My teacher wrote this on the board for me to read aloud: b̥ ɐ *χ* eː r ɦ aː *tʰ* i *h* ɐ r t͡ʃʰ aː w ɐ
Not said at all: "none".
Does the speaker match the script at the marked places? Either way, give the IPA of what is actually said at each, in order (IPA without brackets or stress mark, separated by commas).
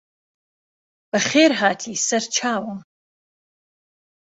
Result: χ, tʰ, s